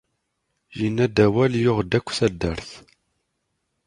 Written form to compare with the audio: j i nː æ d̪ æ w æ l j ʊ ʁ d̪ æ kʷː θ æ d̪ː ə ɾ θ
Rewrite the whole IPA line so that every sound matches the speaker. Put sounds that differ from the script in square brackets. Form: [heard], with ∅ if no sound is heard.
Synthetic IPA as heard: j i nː æ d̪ æ w æ l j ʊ ʁ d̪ æ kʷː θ æ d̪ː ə ɾ θ